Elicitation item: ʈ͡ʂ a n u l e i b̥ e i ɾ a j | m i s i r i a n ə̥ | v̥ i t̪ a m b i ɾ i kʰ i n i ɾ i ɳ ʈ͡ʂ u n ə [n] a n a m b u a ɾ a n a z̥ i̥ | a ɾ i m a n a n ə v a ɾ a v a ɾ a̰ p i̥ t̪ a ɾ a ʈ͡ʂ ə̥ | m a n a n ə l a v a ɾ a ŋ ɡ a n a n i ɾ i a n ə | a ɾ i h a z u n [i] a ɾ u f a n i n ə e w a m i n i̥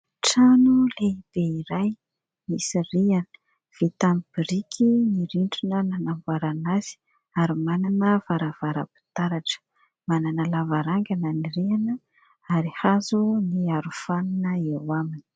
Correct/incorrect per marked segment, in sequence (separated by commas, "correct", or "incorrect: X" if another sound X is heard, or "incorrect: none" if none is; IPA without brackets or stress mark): correct, correct